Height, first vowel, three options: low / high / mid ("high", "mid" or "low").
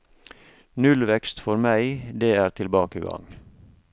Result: high